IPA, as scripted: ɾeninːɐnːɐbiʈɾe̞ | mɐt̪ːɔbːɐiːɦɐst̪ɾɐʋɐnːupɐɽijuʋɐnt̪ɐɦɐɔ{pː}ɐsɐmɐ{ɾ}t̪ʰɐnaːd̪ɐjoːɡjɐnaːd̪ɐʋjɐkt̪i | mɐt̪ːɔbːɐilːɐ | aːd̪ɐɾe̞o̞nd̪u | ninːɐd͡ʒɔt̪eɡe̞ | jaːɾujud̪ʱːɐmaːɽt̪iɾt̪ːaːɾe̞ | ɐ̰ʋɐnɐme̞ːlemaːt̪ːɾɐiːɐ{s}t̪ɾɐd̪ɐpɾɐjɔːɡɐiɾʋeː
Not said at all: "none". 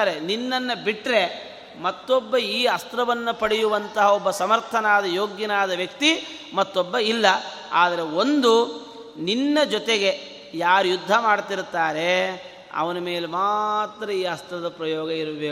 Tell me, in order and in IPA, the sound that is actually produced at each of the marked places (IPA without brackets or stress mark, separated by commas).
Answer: bː, ɾ, s